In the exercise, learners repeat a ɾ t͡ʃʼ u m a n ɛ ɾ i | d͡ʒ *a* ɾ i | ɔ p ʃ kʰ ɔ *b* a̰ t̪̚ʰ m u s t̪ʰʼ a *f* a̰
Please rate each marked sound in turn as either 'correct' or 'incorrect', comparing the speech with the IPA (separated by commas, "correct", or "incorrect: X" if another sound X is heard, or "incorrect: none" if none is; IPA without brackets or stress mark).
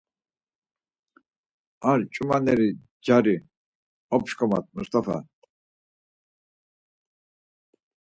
correct, incorrect: m, correct